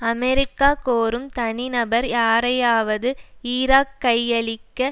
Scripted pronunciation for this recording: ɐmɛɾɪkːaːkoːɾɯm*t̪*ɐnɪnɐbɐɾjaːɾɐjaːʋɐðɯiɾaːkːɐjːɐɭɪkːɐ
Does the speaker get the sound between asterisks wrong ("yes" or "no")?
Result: no